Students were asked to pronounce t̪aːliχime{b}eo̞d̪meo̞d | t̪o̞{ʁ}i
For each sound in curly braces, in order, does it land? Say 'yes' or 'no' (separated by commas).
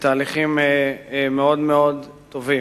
no, no